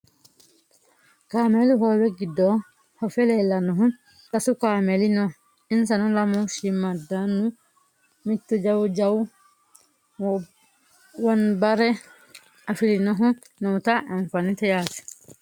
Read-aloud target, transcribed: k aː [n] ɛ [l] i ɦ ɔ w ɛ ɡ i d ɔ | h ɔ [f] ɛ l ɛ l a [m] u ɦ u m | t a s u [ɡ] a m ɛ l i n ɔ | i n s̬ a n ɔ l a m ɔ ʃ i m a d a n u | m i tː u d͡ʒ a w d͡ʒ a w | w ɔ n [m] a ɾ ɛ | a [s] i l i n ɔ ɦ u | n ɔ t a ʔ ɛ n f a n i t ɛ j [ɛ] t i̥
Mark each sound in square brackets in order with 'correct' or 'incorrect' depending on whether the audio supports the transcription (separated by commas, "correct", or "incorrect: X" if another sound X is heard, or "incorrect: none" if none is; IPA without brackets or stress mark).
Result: incorrect: m, correct, correct, incorrect: n, incorrect: k, incorrect: b, incorrect: f, incorrect: a